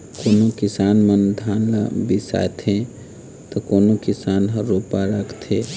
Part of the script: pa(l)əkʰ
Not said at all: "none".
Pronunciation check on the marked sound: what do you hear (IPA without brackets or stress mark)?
ɾ